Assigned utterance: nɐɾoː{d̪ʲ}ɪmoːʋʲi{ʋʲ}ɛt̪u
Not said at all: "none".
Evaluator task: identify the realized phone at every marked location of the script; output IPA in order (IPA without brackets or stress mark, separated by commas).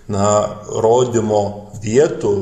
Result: d̪ʲ, none